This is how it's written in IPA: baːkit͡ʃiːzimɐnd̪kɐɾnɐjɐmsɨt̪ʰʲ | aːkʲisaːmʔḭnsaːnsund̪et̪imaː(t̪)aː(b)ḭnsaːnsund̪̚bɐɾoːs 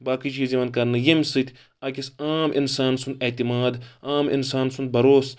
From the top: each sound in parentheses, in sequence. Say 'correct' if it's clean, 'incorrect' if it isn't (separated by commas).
incorrect, incorrect